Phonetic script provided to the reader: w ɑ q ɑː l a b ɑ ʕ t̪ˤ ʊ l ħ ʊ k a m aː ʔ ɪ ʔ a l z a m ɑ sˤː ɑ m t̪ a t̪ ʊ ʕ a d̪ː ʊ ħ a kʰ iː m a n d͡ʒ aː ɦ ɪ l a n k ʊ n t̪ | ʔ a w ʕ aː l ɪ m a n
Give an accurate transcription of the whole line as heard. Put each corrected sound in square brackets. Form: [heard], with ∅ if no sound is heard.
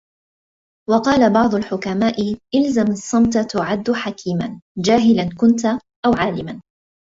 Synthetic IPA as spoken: w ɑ q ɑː l a b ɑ ʕ [d̪ˤ] ʊ l ħ ʊ k a m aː ʔ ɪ ʔ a l z a m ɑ sˤː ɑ m t̪ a t̪ ʊ ʕ a d̪ː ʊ ħ a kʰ iː m a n d͡ʒ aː ɦ ɪ l a n k ʊ n t̪ | ʔ a w ʕ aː l ɪ m a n